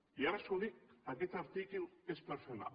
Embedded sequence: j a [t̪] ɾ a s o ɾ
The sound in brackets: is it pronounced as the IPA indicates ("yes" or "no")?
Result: no